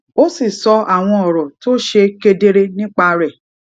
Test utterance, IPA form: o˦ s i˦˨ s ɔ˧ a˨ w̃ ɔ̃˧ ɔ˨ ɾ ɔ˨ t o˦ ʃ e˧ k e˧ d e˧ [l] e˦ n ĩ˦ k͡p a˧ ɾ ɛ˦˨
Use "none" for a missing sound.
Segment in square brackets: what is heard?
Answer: ɾ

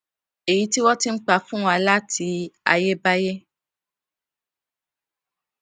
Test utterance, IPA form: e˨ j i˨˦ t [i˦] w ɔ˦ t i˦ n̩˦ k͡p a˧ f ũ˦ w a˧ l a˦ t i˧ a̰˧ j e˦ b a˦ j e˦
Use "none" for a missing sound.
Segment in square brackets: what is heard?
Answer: i˦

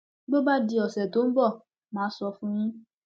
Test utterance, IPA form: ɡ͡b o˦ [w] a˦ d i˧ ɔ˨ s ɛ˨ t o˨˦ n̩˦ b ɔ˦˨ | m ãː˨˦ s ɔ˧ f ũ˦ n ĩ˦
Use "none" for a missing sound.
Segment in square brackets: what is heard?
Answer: b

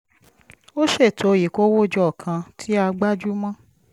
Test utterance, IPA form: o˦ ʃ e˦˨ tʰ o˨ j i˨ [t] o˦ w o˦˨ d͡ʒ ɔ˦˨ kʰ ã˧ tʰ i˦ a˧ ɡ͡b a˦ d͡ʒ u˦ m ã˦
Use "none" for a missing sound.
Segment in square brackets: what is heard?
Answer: k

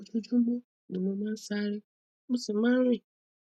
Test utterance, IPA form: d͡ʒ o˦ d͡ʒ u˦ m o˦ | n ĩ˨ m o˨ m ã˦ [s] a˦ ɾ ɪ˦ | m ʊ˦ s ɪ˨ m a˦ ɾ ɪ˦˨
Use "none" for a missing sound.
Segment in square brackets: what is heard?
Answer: s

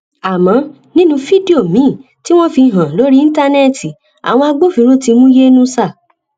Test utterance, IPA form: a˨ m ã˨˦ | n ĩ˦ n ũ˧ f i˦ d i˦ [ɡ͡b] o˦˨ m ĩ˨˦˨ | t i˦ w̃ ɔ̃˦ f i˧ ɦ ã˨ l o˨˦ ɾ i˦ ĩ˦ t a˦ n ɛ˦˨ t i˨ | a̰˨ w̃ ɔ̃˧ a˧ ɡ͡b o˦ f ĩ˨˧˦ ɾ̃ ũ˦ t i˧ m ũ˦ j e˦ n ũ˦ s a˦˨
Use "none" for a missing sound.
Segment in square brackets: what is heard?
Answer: none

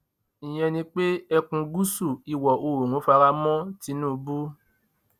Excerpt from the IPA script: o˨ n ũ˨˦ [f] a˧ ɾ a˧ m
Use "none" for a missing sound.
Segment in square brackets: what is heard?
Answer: f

